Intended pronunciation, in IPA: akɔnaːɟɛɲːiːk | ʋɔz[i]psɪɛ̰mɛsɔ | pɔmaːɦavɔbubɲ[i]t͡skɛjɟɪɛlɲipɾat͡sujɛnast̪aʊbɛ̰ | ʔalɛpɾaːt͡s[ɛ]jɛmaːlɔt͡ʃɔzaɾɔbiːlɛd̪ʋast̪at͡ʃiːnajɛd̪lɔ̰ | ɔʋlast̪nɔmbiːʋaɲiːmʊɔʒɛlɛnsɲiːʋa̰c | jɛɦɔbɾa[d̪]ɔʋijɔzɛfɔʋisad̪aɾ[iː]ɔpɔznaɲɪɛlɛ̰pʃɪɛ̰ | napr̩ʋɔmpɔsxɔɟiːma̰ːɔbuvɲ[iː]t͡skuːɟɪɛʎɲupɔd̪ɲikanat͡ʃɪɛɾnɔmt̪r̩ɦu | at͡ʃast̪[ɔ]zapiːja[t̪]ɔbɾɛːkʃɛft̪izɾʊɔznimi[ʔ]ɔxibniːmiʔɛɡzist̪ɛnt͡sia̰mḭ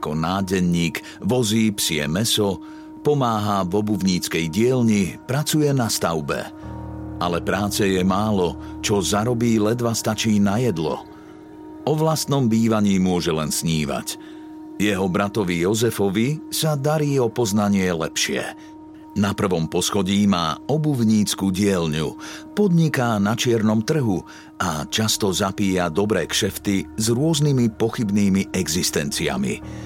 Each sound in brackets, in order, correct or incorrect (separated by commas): incorrect, incorrect, correct, incorrect, correct, correct, correct, incorrect, incorrect